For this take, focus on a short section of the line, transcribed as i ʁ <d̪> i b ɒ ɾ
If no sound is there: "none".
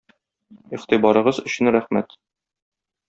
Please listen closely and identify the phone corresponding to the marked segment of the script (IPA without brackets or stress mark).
t̪